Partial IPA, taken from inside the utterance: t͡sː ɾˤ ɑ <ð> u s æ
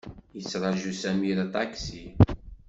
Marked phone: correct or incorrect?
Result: incorrect